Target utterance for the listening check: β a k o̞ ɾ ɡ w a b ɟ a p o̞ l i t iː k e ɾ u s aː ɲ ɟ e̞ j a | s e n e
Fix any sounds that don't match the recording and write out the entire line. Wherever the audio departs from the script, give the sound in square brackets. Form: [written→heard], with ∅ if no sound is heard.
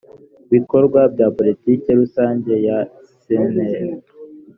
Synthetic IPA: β [a→i] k o̞ ɾ ɡ w a b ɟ a p o̞ l i t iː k e ɾ u s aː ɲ ɟ e̞ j a | s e n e